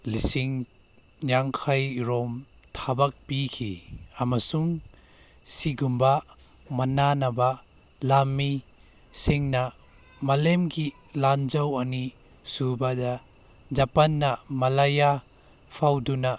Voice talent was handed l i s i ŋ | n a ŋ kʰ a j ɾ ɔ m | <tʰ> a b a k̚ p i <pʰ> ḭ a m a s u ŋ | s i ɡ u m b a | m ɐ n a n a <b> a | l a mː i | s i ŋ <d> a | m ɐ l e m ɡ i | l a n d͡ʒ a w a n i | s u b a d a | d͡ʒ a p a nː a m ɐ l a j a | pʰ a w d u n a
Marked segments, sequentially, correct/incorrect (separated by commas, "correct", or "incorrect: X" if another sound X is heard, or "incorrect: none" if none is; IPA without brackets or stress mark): correct, incorrect: kʰ, correct, incorrect: n